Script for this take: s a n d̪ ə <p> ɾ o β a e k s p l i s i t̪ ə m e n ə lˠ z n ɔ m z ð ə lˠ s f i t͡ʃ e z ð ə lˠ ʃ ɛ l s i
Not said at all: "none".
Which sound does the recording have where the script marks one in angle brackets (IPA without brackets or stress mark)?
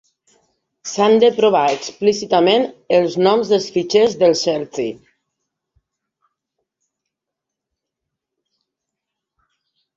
p